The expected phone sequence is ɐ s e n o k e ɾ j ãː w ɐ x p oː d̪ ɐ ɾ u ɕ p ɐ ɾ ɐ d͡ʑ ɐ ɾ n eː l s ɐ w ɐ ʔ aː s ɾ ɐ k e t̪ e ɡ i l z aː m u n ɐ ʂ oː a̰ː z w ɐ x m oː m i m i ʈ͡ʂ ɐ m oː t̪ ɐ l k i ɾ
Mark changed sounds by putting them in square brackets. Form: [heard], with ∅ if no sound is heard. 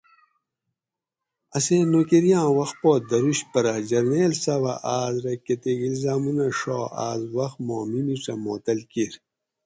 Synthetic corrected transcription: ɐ s e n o k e ɾ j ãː w ɐ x p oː d̪ ɐ ɾ u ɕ p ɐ ɾ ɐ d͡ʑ ɐ ɾ n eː l s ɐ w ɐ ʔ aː [z] ɾ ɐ k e t̪ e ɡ i l z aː m u n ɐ ʂ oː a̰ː z w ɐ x m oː m i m i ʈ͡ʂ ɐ m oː t̪ ɐ l k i ɾ

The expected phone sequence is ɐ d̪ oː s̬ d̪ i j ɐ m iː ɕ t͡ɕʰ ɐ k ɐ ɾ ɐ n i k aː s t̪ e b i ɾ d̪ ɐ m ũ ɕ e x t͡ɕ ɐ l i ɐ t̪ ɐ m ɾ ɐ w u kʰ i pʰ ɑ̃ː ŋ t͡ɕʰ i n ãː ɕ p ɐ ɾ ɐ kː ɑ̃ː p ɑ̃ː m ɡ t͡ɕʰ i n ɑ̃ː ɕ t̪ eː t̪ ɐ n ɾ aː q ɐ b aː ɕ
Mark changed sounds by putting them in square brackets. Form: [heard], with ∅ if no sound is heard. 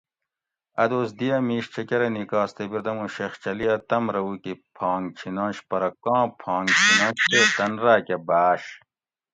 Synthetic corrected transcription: ɐ d̪ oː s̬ d̪ i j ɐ m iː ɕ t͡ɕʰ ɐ k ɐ ɾ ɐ n i k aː s t̪ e b i ɾ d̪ ɐ m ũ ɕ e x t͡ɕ ɐ l i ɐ t̪ ɐ m ɾ ɐ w u [k] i pʰ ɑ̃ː ŋ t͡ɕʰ i n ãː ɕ p ɐ ɾ ɐ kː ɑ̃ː [pʰ] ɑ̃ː [ŋ] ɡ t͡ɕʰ i n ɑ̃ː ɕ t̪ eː t̪ ɐ n ɾ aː [k] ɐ b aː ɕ

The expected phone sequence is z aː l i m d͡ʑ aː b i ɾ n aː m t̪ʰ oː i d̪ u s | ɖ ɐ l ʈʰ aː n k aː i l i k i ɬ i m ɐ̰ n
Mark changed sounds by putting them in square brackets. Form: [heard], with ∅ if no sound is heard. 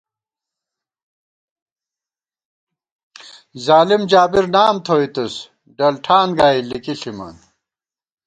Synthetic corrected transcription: z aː l i m d͡ʑ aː b i ɾ n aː m t̪ʰ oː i [t̪] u s | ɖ ɐ l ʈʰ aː n [ɡ] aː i l i k i ɬ i m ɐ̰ n

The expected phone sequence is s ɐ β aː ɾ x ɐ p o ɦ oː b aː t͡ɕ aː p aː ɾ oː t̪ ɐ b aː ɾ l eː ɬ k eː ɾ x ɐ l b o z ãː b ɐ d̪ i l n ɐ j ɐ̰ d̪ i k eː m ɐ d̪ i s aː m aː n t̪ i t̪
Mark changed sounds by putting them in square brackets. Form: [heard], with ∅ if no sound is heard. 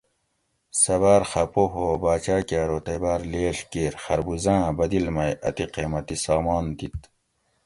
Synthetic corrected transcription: s ɐ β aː ɾ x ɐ p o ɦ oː b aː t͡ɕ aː [k] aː ɾ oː t̪ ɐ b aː ɾ l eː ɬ k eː ɾ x ɐ [ɾ] b [u] z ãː b ɐ d̪ i l [m] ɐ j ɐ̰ [t̪] i [q] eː m ɐ [t̪] i s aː m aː n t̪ i t̪

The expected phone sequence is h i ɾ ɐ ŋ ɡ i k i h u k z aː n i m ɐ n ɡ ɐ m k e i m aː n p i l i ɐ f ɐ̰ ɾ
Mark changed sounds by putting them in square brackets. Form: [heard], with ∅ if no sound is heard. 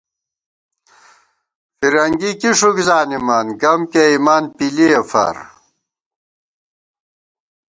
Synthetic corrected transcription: [f] i ɾ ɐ ŋ ɡ i k i [ʂ] u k z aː n i m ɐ n ɡ ɐ m k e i m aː n p i l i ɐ f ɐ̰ ɾ

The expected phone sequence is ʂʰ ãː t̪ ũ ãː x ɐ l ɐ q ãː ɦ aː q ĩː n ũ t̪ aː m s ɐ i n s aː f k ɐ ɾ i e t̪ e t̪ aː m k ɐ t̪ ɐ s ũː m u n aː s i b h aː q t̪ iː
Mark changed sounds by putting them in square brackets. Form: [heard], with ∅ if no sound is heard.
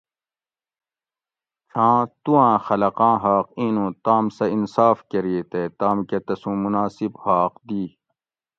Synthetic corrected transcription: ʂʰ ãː t̪ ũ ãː x ɐ l ɐ q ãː ɦ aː q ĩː n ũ t̪ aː m s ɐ i n s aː f k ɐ ɾ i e t̪ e t̪ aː m k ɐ t̪ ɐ s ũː m u n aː s i b h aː q [d̪] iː

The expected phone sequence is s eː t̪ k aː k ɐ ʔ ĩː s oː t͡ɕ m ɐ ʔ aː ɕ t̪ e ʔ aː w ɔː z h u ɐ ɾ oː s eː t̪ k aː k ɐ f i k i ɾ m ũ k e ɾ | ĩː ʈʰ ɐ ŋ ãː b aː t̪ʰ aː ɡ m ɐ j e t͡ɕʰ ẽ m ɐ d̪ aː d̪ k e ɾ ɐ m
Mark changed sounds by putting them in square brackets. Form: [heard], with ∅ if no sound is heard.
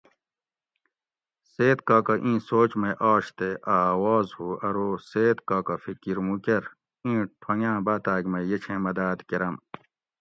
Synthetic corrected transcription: s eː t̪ k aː k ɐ ʔ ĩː s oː t͡ɕ m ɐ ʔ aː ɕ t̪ e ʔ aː w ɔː z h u ɐ ɾ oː s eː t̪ k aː k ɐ f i k i ɾ m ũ k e ɾ | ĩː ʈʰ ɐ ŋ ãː b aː [t̪] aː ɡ m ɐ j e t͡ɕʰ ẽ m ɐ d̪ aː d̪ k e ɾ ɐ m

